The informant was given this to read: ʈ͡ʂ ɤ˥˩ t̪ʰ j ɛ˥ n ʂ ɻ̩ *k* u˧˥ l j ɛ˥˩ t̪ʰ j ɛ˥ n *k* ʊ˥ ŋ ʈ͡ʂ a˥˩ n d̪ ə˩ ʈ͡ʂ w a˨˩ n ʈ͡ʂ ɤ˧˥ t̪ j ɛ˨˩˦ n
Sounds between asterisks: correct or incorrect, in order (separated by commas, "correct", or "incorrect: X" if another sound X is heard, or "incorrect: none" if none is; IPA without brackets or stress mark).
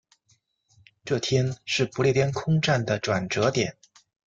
incorrect: p, incorrect: kʰ